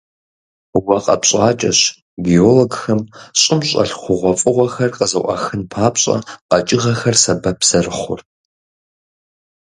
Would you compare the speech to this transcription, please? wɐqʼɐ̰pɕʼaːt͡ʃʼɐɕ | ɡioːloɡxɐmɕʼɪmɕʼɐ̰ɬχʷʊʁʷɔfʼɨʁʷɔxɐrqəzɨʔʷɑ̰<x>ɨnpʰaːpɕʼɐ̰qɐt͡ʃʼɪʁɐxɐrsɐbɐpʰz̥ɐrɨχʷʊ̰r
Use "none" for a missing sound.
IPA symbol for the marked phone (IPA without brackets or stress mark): x